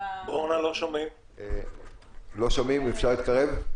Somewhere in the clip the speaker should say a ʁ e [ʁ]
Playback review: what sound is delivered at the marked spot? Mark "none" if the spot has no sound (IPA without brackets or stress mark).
v